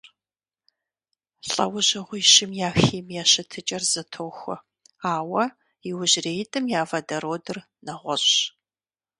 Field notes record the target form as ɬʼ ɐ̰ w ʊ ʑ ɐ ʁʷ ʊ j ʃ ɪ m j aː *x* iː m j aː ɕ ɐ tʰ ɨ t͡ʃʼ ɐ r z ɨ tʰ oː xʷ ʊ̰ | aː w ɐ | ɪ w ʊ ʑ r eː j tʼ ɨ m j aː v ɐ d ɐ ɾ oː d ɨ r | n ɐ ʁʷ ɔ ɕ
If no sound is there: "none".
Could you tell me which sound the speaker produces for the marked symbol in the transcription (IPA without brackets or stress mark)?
x